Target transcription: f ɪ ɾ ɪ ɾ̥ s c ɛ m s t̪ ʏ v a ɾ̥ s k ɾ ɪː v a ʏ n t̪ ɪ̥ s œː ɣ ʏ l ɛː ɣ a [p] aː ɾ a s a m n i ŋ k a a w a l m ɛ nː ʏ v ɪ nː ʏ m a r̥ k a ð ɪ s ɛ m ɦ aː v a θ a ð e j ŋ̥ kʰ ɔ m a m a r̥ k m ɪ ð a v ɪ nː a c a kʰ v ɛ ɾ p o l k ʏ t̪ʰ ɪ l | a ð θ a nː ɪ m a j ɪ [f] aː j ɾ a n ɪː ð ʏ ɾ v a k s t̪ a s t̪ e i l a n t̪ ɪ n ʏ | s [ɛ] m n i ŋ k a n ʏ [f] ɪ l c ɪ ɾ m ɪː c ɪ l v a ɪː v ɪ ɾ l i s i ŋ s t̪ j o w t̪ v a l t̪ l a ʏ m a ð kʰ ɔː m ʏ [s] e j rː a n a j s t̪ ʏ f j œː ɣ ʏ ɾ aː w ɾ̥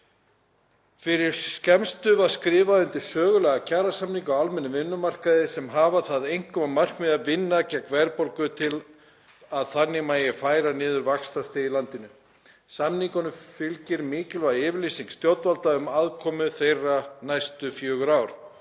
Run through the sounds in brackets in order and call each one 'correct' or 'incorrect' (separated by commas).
incorrect, correct, incorrect, correct, incorrect